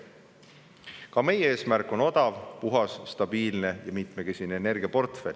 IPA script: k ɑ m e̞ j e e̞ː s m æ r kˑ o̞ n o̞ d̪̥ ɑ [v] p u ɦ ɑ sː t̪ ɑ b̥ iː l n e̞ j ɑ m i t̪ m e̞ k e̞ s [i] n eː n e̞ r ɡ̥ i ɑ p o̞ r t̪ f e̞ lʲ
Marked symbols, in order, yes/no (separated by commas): yes, yes